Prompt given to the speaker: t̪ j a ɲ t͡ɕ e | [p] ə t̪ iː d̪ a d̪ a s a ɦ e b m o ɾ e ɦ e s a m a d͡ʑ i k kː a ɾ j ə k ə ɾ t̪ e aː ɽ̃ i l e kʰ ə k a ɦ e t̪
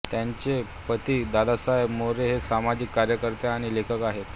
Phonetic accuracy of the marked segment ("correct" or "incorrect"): correct